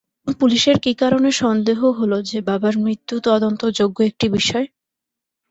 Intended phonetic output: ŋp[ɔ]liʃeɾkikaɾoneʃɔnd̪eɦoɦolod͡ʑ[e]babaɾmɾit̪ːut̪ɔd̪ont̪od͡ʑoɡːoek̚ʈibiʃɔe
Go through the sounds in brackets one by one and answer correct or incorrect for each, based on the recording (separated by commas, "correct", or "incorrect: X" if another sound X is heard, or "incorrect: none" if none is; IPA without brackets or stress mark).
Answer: incorrect: u, correct